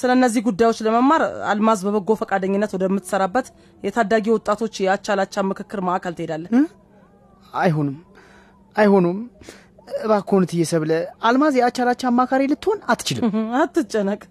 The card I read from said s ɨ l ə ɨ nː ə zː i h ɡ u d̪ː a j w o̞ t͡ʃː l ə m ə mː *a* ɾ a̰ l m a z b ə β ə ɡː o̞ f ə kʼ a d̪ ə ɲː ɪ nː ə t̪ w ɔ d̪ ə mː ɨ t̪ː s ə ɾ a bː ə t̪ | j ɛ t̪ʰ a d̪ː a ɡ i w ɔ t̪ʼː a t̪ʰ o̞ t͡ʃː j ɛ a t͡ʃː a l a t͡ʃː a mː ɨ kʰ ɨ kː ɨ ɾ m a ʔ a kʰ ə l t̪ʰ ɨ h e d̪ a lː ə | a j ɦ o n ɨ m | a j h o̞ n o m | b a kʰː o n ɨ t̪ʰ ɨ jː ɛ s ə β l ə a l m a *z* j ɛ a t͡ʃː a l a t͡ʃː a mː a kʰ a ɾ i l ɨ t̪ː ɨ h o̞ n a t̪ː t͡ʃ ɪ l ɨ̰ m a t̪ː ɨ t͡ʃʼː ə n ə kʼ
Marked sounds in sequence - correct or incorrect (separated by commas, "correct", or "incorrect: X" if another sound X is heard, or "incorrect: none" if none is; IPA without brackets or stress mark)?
correct, correct